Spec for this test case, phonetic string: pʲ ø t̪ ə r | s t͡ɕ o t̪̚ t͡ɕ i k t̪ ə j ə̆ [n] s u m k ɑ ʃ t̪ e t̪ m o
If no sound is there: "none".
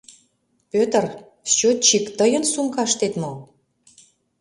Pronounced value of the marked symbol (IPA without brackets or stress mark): n